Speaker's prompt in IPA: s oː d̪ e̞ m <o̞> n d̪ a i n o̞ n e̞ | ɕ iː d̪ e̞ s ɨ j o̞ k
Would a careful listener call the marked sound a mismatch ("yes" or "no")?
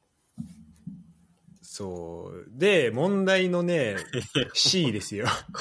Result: yes